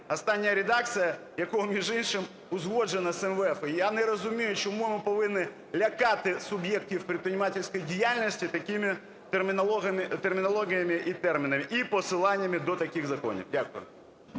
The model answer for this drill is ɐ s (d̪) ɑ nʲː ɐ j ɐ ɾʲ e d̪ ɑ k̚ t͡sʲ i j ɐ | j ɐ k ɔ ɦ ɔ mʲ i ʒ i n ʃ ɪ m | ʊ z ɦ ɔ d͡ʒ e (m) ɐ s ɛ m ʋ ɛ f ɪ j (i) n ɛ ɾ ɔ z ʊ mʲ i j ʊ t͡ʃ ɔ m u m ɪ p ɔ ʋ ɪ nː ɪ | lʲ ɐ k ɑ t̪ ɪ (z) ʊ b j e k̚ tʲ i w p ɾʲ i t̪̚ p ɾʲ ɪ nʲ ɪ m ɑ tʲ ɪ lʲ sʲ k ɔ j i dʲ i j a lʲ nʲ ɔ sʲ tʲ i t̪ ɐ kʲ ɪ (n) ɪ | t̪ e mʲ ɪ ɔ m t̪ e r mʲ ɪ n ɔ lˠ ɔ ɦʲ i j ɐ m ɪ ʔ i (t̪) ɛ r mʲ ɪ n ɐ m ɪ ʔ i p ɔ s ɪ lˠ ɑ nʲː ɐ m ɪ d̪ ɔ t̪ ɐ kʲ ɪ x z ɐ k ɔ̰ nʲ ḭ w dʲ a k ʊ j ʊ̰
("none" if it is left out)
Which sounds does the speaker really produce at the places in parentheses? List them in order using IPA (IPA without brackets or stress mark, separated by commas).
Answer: t̪, n, a, s, m, t̪